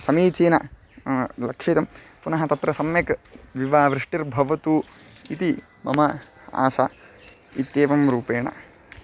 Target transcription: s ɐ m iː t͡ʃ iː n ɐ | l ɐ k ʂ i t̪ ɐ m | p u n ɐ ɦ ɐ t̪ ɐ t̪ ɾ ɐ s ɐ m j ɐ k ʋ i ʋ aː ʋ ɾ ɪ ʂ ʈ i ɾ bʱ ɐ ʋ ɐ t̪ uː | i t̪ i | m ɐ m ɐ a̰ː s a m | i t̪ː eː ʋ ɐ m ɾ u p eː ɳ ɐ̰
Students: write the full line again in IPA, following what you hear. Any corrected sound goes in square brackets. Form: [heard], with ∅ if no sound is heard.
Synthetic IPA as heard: s ɐ m iː t͡ʃ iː n ɐ | l ɐ k ʂ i t̪ ɐ m | p u n ɐ ɦ ɐ t̪ ɐ t̪ ɾ ɐ s ɐ m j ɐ k ʋ i ʋ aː ʋ ɾ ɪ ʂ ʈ i ɾ bʱ ɐ ʋ ɐ t̪ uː | i t̪ i | m ɐ m ɐ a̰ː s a [∅] | i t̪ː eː ʋ ɐ m ɾ [uː] p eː ɳ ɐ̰